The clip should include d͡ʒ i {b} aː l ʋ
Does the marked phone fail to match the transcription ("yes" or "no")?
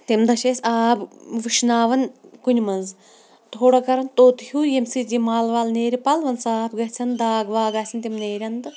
yes